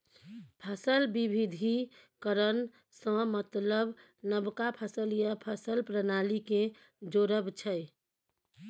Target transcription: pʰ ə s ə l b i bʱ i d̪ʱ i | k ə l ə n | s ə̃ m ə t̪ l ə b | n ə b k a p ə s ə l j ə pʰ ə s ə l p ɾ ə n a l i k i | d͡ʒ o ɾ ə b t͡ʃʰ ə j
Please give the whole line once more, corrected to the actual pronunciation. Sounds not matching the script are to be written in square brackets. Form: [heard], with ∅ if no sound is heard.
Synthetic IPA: pʰ ə s ə l b i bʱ i d̪ʱ i | k ə [ɾ] ə n | s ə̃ m ə t̪ l ə b | n ə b k a [pʰ] ə s ə l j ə pʰ ə s ə l p ɾ ə n a l i k [e] | d͡ʒ o ɾ ə b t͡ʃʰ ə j